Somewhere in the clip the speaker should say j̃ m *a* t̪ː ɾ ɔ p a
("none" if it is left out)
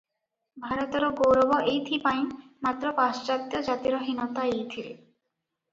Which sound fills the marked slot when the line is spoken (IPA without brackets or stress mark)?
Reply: a